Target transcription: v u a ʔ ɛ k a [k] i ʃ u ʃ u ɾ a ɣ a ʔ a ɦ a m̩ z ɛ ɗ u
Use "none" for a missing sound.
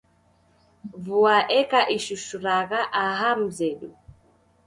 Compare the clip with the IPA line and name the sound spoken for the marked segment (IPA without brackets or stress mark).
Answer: ʔ